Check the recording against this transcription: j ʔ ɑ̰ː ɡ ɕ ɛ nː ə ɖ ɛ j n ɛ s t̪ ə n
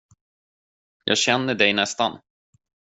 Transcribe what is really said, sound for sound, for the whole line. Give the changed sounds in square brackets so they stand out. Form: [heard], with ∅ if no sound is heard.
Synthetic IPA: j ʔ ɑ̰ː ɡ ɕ ɛ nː ə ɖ ɛ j n ɛ s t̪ [a] n